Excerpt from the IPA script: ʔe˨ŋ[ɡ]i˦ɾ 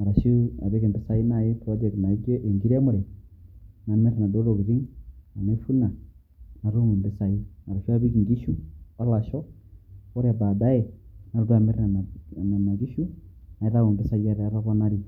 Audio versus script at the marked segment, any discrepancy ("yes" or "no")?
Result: no